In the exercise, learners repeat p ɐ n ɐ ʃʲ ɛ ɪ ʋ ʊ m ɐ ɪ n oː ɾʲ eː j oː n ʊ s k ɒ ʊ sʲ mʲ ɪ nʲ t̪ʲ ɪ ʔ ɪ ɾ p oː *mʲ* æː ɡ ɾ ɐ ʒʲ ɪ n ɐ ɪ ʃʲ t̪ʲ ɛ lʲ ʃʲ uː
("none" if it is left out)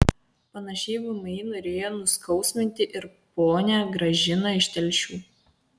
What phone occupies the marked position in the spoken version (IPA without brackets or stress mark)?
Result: nʲ